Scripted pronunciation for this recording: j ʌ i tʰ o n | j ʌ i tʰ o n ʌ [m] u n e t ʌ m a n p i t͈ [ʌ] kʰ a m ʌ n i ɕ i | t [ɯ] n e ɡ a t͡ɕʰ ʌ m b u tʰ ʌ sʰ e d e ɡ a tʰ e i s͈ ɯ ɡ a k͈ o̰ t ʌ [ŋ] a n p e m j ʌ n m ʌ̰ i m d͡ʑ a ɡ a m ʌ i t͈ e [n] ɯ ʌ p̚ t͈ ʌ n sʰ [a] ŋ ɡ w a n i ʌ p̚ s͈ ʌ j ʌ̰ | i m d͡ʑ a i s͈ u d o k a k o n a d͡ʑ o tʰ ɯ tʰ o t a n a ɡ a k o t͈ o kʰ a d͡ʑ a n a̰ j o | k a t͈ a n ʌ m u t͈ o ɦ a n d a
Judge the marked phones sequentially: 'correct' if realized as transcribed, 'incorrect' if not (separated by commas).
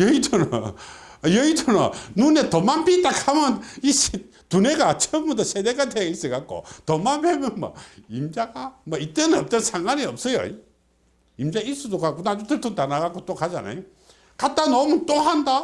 incorrect, incorrect, incorrect, incorrect, correct, correct